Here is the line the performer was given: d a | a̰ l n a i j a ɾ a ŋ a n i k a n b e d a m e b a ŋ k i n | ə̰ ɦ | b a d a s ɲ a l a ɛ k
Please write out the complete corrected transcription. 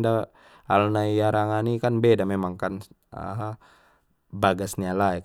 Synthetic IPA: d a | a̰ l n a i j a ɾ a ŋ a n i k a n b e d a m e m a ŋ k a n | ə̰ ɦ | b a ɡ a s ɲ a l a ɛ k